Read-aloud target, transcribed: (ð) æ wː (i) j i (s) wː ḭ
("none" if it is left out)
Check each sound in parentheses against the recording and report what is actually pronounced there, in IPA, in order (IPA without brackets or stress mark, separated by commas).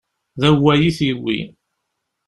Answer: ð, æ, θ